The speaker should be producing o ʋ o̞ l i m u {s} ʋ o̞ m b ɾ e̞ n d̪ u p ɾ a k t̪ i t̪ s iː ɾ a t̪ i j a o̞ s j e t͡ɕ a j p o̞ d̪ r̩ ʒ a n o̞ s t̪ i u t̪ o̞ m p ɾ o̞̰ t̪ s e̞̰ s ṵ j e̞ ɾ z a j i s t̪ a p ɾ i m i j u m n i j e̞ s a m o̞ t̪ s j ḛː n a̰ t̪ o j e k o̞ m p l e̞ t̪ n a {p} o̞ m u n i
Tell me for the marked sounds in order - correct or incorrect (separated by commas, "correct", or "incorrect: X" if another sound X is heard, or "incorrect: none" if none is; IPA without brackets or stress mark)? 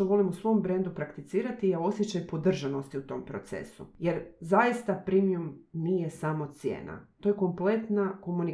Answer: correct, incorrect: k